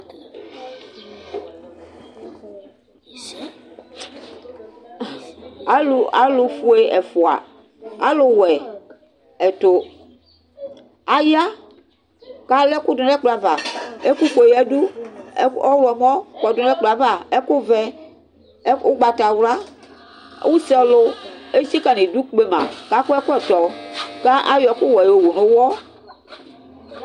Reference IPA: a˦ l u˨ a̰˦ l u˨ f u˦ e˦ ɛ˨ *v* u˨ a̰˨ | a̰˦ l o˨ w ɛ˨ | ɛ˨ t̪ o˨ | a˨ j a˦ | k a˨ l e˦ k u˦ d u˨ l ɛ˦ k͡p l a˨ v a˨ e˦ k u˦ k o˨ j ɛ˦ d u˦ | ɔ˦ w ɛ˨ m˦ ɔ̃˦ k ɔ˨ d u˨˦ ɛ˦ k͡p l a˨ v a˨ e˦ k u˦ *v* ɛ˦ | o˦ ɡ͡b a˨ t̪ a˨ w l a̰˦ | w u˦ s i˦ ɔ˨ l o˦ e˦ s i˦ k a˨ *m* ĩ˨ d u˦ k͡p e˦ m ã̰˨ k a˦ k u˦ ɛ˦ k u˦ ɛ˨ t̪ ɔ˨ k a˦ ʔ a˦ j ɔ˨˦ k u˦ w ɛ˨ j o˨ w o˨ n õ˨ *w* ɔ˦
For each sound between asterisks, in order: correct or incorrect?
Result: incorrect, correct, incorrect, correct

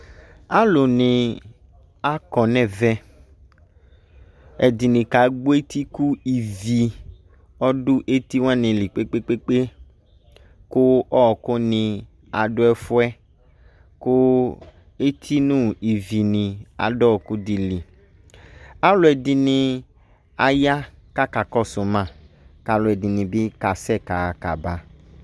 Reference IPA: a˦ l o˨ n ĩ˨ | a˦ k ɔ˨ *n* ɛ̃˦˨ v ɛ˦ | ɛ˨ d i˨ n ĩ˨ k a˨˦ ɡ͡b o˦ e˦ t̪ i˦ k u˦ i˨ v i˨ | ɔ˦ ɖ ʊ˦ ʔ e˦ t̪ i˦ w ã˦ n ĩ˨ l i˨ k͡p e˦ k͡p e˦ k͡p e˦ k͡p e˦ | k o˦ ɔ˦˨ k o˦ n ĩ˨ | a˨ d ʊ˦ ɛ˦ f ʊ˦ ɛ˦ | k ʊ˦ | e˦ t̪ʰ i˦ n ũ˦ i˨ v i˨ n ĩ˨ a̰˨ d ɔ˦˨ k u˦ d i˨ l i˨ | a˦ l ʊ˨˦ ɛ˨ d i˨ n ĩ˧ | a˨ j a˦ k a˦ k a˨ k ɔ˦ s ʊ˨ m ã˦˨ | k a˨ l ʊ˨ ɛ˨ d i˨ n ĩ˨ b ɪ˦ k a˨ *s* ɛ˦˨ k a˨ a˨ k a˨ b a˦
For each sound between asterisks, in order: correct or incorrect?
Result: correct, correct

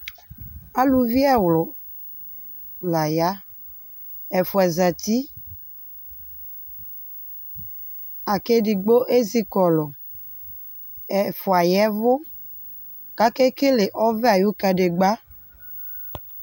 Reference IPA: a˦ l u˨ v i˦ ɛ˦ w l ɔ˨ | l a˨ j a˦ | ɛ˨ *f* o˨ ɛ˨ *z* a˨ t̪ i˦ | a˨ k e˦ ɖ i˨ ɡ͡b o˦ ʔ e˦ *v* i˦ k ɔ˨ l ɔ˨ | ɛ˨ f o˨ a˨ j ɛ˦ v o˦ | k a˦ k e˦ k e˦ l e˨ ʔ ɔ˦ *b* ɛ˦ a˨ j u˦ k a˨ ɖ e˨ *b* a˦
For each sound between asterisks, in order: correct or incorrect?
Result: correct, correct, incorrect, incorrect, incorrect

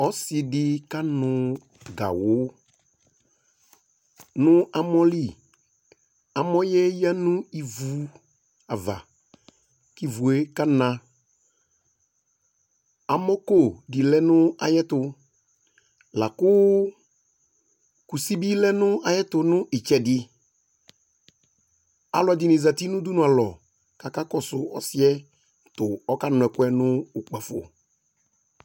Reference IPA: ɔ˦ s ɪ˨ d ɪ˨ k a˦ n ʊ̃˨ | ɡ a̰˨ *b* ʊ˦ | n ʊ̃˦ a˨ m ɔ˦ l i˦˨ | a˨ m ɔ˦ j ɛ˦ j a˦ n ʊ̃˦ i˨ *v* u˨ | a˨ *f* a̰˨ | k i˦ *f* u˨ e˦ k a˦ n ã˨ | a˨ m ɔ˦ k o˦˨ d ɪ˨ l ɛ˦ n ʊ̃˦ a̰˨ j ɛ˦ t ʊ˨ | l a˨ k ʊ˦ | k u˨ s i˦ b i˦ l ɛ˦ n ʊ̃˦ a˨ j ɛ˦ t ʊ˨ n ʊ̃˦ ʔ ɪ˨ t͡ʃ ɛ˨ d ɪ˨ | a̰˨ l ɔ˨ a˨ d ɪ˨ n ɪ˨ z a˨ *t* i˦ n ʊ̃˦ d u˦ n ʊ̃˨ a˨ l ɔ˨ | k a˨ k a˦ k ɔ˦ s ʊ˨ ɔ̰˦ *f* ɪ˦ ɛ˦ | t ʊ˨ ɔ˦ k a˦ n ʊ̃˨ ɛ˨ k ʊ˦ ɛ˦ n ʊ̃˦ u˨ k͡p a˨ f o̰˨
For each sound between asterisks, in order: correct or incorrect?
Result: incorrect, correct, incorrect, incorrect, correct, incorrect

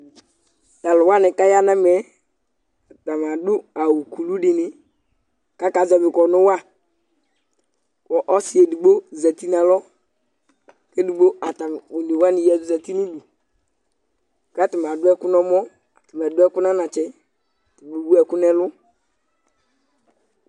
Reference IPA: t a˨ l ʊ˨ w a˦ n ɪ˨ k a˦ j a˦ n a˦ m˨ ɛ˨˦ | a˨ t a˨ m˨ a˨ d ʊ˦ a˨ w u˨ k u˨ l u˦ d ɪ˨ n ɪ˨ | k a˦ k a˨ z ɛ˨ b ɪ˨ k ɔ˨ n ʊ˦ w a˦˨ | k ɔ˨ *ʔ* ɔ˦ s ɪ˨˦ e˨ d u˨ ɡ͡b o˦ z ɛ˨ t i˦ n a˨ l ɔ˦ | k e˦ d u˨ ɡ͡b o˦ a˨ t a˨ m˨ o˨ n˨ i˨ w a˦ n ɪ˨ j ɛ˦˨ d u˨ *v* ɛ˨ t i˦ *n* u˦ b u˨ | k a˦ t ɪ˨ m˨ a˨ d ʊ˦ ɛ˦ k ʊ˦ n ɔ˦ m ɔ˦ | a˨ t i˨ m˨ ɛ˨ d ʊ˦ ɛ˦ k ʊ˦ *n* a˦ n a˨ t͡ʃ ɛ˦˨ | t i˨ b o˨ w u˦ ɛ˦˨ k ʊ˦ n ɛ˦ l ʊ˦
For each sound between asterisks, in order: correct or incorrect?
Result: correct, incorrect, correct, correct

